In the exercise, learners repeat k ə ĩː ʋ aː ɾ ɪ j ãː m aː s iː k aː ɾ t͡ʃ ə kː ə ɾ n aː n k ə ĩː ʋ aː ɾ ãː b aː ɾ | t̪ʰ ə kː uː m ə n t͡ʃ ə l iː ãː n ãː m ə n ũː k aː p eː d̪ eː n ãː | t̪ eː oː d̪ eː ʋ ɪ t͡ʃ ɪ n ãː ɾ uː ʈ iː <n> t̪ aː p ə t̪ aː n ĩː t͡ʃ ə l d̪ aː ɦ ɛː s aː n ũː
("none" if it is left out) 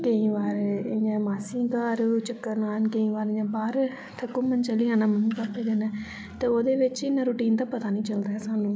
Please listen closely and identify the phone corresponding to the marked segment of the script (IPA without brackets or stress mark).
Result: n